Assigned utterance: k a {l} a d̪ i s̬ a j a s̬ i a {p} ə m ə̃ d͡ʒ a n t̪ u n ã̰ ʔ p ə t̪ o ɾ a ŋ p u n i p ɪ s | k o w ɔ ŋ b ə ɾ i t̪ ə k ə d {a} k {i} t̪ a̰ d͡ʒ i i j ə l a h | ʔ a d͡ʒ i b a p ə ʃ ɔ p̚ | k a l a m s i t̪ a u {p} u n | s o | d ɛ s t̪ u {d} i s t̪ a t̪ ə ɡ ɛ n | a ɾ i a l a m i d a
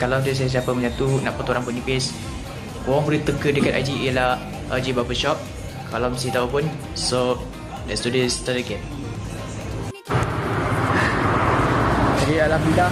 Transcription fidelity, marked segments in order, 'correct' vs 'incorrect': correct, correct, incorrect: ə, incorrect: a, correct, correct

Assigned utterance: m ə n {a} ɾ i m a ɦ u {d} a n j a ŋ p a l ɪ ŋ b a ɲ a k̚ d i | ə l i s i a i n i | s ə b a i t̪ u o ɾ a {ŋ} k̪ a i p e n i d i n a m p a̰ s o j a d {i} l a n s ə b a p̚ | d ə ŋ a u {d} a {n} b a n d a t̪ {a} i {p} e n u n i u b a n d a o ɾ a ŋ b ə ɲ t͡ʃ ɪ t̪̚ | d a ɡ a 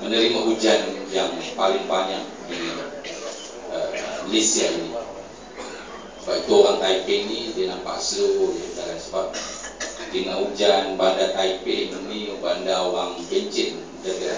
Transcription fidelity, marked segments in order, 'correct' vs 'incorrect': incorrect: ə, incorrect: d͡ʒ, correct, incorrect: a, incorrect: d͡ʒ, correct, correct, correct

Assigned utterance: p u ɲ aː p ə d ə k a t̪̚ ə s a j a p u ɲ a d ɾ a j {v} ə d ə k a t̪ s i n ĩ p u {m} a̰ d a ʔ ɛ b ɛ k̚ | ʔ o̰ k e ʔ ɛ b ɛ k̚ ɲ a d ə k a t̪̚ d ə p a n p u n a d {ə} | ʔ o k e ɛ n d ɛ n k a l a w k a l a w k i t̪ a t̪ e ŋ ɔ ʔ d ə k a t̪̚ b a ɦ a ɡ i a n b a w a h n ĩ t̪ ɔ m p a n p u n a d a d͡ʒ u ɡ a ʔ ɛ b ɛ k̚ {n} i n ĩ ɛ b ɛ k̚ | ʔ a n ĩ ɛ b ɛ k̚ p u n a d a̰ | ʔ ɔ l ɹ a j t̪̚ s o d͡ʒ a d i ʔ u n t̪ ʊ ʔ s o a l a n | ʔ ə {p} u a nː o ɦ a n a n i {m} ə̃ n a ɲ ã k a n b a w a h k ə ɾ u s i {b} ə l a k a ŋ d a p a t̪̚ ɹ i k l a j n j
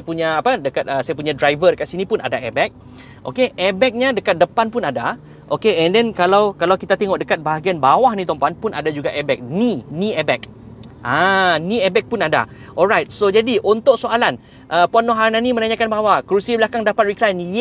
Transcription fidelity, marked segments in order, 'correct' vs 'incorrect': correct, incorrect: n, incorrect: a, correct, correct, correct, correct

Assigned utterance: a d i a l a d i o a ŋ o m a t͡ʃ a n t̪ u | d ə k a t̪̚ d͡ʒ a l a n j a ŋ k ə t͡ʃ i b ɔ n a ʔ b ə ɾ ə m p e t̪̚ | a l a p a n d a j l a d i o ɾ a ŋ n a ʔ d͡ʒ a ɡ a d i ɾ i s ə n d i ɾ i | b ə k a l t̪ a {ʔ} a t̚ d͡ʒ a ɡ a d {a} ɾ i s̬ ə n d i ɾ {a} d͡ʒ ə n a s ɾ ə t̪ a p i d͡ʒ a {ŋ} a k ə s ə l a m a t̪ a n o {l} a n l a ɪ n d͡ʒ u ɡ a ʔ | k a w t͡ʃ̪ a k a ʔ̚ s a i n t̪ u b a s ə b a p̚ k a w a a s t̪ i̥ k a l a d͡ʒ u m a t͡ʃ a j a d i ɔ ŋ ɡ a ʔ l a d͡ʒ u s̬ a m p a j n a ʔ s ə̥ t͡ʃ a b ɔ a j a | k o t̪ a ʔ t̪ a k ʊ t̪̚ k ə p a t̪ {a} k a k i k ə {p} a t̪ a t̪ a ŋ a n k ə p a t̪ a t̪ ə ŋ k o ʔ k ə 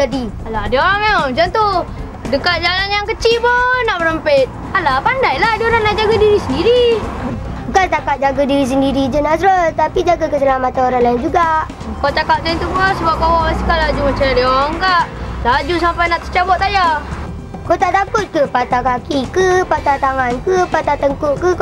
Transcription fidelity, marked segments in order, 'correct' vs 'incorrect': incorrect: k, incorrect: i, incorrect: i, incorrect: ɡ, incorrect: ɾ, correct, correct

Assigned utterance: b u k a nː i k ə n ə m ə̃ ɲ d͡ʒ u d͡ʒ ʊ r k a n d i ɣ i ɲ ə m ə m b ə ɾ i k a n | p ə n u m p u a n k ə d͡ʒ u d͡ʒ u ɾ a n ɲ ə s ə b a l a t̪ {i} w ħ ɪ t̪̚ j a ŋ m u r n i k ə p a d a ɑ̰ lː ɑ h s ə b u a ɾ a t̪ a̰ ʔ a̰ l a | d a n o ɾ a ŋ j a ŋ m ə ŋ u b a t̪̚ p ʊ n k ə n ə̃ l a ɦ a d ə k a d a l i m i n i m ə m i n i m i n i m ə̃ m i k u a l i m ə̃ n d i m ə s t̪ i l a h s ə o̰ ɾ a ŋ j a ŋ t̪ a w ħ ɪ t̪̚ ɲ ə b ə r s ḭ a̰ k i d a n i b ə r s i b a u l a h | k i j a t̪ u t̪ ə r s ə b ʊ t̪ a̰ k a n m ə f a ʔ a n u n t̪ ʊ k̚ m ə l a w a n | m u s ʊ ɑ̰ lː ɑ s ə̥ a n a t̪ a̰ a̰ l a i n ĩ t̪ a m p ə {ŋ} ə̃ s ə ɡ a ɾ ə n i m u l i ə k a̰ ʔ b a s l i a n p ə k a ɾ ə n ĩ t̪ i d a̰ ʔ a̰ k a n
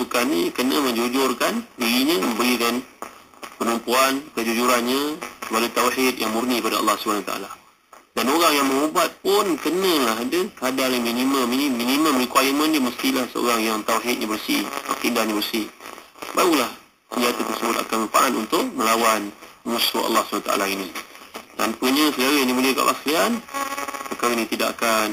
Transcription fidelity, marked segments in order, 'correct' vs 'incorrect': incorrect: a, incorrect: ɲ

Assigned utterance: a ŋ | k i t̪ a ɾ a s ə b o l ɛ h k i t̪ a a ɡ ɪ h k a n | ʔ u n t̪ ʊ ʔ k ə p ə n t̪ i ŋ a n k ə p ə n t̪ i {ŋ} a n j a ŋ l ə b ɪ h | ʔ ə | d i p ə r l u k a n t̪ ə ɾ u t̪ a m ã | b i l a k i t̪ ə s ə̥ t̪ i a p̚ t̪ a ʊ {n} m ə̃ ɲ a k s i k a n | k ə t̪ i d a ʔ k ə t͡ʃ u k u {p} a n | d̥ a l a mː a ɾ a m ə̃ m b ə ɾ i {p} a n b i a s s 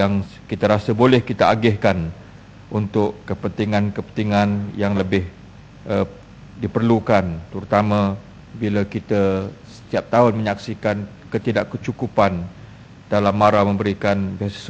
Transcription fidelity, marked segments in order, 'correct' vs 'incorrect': correct, correct, correct, incorrect: k

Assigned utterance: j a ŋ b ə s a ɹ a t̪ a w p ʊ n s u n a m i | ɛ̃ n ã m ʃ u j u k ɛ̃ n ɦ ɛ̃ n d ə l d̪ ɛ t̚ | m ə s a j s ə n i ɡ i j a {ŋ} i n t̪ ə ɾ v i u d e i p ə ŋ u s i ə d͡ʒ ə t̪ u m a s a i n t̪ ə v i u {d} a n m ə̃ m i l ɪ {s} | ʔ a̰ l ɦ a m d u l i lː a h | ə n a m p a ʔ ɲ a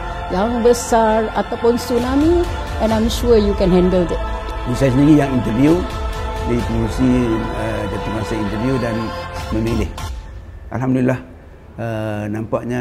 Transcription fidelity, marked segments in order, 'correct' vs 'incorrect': correct, correct, incorrect: h

